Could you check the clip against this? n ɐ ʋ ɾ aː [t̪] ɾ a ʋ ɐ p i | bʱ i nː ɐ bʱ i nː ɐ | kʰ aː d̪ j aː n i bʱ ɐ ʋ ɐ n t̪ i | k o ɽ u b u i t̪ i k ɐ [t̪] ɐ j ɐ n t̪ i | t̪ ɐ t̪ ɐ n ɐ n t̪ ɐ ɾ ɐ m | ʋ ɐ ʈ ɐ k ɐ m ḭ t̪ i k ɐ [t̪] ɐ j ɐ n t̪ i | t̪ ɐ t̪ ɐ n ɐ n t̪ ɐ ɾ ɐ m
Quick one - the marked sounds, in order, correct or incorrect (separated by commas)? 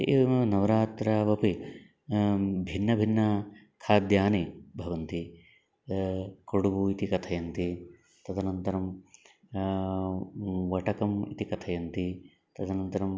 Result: correct, incorrect, incorrect